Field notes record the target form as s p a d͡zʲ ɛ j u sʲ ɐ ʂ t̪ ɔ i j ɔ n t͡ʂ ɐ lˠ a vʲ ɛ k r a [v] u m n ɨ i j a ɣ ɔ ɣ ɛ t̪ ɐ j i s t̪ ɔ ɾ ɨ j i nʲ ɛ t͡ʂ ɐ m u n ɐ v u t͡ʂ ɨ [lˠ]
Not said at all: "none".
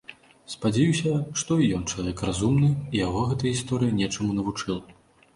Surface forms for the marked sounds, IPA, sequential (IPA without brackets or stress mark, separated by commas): z, lˠ